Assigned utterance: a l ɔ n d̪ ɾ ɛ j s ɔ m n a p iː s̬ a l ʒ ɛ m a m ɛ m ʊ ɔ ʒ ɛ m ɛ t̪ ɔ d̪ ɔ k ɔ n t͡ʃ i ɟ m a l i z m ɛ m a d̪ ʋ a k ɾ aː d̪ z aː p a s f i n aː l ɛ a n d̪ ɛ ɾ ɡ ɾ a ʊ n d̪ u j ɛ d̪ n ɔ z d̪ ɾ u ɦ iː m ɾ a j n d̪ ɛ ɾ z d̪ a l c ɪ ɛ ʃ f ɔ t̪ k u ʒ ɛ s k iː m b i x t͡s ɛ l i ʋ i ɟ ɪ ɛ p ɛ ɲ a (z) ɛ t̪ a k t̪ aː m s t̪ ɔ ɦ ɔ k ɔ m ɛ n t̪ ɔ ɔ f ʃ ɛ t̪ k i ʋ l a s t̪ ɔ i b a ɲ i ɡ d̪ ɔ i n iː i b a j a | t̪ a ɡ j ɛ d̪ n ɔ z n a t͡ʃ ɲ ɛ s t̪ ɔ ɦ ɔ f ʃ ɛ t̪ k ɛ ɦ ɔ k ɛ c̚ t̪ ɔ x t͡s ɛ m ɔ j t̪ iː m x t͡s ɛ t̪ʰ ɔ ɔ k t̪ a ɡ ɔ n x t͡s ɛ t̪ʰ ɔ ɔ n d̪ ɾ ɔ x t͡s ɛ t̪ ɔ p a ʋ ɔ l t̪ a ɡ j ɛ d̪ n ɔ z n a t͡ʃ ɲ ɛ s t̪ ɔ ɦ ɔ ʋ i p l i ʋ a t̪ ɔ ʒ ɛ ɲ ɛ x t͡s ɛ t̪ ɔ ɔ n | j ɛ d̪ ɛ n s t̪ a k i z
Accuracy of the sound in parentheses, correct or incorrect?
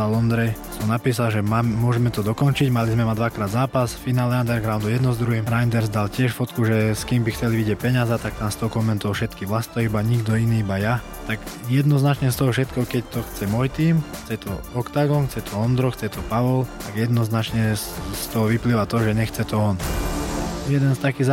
correct